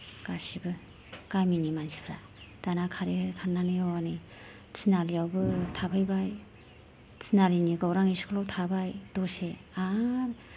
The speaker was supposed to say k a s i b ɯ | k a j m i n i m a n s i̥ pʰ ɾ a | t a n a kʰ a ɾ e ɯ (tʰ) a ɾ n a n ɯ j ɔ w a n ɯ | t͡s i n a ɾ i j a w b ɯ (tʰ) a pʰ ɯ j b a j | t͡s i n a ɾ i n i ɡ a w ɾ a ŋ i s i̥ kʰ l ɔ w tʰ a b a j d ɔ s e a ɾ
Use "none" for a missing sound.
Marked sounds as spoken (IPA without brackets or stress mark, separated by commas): kʰ, tʰ